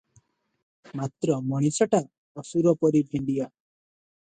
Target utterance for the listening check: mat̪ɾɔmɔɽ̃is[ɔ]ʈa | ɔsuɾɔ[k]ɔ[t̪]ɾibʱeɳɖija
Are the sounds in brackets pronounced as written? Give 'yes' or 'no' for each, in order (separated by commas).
yes, no, no